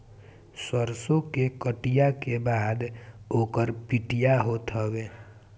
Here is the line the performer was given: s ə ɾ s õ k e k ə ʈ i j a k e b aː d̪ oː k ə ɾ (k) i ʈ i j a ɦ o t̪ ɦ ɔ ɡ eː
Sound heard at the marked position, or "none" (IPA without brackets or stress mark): p